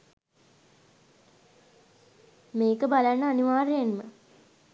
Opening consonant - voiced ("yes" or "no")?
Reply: yes